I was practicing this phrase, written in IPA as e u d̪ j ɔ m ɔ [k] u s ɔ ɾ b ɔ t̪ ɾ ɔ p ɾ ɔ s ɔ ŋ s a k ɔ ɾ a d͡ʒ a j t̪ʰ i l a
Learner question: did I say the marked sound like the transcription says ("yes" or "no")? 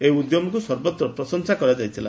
yes